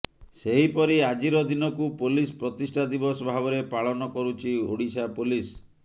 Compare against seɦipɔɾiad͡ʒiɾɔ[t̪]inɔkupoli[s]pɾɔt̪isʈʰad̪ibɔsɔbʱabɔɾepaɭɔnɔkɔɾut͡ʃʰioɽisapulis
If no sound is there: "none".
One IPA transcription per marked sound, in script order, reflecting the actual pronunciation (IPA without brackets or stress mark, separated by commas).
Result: d̪, s